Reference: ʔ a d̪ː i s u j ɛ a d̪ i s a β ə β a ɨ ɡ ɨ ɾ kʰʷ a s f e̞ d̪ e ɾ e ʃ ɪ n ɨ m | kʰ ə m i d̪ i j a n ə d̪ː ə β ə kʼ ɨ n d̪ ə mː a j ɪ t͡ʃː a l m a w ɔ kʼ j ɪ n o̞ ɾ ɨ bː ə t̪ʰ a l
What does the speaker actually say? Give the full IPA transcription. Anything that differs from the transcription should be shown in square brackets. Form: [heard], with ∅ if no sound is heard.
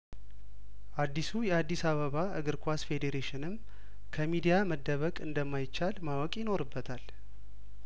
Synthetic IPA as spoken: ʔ a d̪ː i s u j ɛ a [d̪ː] i s a β ə β a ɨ ɡ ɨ ɾ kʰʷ a s f e̞ d̪ e ɾ e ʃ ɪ n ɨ m | kʰ ə m i d̪ i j a [m] ə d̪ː ə β ə kʼ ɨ n d̪ ə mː a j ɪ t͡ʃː a l m a w ɔ kʼ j ɪ n o̞ ɾ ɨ bː ə t̪ʰ a l